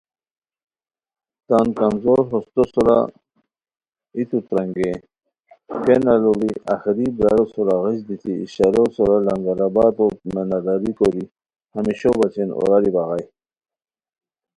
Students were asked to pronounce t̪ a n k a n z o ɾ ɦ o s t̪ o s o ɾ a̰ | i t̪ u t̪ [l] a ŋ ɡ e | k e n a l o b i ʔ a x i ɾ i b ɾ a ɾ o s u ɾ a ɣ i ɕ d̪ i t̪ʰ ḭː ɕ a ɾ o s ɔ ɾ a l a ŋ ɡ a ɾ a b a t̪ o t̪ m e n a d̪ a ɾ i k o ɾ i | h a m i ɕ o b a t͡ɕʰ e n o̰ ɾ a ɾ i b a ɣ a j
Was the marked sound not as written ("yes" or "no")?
yes